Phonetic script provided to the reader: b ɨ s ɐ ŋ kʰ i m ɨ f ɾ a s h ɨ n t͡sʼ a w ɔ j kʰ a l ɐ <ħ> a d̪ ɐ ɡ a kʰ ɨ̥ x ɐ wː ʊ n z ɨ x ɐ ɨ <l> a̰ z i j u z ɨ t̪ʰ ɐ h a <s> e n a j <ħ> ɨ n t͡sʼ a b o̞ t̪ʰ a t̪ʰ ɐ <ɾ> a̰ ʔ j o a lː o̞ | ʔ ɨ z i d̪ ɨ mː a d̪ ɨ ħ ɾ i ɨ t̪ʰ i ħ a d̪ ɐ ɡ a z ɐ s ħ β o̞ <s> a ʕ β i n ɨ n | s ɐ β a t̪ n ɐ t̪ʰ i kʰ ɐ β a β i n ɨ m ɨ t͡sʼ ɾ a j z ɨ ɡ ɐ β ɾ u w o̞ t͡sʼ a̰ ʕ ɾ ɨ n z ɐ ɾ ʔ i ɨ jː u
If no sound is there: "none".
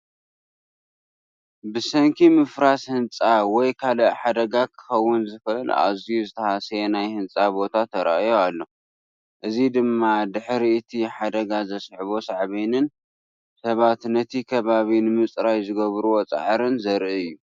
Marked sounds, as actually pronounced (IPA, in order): ħ, l, s, h, ɾ, s

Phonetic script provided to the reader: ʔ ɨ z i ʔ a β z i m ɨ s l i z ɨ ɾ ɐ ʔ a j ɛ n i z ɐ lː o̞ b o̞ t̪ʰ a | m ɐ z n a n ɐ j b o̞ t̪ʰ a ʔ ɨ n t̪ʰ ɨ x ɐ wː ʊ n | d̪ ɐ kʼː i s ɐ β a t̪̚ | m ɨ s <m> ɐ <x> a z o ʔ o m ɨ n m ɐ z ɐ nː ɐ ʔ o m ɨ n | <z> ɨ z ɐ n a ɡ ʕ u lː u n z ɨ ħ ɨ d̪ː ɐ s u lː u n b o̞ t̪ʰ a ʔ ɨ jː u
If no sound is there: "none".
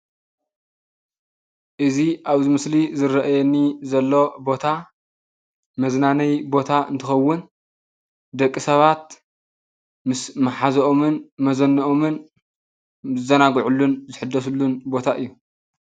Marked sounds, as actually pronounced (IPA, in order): m, ħ, z

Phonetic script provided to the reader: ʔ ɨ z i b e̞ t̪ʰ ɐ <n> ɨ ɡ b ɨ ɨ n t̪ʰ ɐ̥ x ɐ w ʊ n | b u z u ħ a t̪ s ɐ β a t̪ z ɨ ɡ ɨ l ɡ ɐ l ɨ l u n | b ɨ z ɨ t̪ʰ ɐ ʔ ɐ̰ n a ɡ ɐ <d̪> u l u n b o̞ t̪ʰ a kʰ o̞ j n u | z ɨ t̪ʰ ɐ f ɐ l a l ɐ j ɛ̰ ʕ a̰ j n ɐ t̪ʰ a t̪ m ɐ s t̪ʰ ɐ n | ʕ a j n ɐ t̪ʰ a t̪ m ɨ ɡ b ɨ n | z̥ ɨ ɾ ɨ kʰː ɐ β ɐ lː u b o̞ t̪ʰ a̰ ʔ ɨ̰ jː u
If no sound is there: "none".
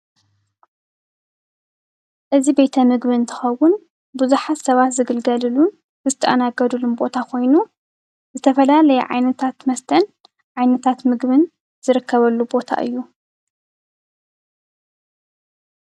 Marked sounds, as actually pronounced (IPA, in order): m, d̪

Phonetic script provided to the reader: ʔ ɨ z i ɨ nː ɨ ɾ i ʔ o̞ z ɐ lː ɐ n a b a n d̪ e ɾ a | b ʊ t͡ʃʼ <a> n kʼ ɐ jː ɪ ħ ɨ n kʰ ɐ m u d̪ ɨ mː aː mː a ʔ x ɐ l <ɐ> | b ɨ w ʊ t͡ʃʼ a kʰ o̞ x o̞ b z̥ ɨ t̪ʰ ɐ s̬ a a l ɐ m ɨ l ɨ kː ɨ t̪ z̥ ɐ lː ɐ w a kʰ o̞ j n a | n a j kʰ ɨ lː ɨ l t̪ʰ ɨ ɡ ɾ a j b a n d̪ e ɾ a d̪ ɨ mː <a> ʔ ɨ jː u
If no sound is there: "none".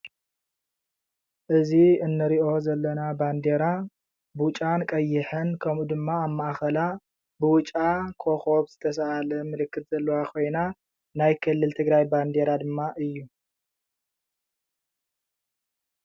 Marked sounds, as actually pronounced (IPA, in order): a, a, a

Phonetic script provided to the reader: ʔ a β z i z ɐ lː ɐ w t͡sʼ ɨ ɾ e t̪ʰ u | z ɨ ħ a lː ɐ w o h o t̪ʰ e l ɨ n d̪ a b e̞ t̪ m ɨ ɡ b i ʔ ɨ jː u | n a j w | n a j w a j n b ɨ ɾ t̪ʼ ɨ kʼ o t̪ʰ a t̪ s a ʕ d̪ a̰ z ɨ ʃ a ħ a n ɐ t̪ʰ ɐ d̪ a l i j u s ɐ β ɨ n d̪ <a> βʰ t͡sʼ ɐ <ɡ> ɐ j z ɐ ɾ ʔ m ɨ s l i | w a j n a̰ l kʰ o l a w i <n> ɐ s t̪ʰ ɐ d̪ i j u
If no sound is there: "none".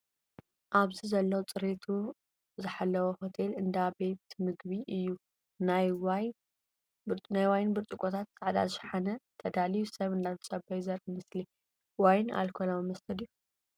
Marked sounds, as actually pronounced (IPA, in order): a, b, m

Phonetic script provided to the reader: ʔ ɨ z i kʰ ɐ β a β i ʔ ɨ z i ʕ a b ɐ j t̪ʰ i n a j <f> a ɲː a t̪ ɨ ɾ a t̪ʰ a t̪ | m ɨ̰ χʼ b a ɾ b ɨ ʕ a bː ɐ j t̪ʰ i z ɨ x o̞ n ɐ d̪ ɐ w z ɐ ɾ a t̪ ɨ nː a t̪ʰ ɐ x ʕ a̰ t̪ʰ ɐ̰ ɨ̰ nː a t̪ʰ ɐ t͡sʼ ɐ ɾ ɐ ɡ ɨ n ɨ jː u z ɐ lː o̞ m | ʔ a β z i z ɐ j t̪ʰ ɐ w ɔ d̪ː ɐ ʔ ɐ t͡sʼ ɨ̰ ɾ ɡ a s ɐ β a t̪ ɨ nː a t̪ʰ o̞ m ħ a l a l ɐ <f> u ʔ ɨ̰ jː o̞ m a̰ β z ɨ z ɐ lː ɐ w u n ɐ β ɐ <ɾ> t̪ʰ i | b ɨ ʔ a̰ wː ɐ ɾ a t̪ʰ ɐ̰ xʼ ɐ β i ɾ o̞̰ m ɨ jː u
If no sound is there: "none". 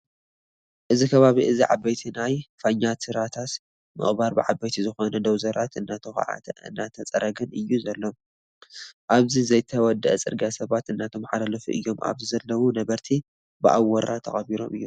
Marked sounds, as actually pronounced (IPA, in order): f, f, ɾ

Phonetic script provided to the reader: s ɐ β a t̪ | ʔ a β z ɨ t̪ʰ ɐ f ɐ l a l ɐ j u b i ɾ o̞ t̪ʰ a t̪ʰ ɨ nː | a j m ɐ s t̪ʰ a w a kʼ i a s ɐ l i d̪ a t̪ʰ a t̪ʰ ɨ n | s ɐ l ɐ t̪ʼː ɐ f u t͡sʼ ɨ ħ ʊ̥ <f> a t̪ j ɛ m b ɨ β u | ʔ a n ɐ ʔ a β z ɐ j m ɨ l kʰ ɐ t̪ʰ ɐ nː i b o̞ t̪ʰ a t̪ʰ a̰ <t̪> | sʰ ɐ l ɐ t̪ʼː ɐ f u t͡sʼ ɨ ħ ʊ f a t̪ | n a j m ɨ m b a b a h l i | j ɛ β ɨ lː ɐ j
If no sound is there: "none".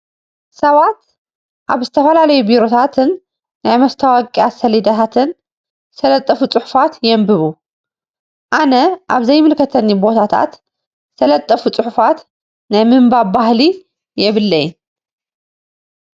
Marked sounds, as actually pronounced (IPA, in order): f, t̪

